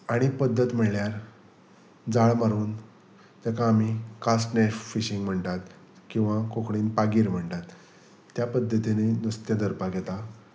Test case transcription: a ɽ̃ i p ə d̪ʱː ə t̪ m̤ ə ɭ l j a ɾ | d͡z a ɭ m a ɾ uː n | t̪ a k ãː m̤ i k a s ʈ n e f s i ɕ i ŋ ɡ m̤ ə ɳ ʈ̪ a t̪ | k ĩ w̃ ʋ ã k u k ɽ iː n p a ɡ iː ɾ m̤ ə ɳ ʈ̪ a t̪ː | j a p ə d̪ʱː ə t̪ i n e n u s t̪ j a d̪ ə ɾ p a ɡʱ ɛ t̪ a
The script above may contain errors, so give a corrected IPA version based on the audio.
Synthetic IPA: a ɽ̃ i p ə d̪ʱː ə t̪ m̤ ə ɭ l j a ɾ | d͡z a ɭ m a ɾ uː n | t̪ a k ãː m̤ i k a s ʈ n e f f i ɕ i ŋ ɡ m̤ ə ɳ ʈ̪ a t̪ | k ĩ w̃ ʋ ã k o k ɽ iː n p a ɡ iː ɾ m̤ ə ɳ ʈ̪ a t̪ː | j a p ə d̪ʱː ə t̪ i n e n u s t̪ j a d̪ ə ɾ p a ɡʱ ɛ t̪ a